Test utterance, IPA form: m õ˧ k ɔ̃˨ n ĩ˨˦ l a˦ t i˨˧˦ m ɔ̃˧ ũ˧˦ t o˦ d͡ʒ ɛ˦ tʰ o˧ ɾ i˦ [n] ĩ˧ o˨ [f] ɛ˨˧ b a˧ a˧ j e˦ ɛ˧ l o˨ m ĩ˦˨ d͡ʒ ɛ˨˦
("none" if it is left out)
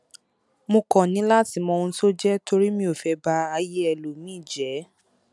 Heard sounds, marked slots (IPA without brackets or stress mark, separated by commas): m, f